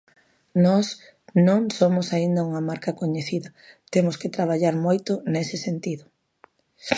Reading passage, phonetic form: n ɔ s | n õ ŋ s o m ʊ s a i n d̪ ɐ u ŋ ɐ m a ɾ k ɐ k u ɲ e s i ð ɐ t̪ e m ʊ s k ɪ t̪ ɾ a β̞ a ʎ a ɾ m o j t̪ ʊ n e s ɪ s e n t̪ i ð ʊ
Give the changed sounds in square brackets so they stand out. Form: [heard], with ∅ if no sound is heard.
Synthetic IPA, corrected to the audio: n ɔ s | n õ ŋ s o m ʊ s a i n d̪ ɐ u ŋ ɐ m a ɾ k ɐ k [o] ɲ e [θ] i ð ɐ t̪ e m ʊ s k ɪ t̪ ɾ a β̞ a ʎ a ɾ m o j t̪ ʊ n e s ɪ s e n t̪ i ð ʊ